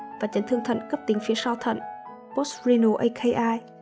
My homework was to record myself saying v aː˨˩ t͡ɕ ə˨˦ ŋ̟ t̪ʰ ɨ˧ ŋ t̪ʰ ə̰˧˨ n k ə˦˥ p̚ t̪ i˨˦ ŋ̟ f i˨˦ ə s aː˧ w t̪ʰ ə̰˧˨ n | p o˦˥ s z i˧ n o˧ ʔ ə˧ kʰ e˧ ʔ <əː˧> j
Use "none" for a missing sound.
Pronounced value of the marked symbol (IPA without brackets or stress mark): aː˧